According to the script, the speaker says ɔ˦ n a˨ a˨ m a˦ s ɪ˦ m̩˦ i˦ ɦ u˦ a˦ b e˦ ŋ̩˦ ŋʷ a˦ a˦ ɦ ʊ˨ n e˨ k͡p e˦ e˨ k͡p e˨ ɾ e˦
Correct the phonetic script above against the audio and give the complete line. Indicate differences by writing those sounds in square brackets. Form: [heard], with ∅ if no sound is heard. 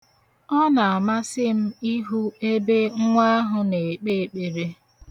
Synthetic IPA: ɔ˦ n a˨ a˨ m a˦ s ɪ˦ m̩˦ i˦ ɦ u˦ [e˦] b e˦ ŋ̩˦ ŋʷ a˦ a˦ ɦ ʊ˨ n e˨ k͡p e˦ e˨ k͡p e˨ ɾ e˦